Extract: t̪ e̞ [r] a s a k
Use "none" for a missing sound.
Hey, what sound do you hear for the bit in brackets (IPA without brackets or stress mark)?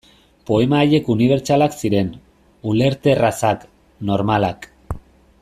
r